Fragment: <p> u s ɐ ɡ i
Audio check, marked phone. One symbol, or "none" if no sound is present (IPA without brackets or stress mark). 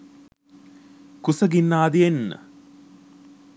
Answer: k